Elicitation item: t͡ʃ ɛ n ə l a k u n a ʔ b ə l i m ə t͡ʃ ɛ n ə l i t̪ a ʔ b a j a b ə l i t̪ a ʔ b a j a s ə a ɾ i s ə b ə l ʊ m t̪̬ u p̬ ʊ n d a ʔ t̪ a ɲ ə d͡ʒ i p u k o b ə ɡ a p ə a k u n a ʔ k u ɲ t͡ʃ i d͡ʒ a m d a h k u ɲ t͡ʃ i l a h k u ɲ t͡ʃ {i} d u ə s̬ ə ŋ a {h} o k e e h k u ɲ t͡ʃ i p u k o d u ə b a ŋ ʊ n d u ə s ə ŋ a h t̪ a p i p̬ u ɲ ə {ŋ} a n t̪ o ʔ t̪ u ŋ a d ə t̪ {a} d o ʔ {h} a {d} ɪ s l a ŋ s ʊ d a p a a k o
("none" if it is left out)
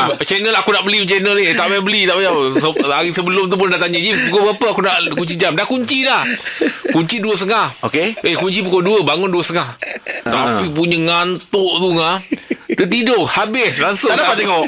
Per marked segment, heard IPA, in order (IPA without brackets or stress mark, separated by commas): i, h, ŋ, i, h, b